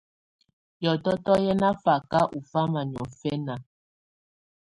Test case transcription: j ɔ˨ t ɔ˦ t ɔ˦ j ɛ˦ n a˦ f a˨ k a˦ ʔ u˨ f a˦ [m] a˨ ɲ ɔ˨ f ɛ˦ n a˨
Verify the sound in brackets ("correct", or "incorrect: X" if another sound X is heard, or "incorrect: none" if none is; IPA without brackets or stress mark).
correct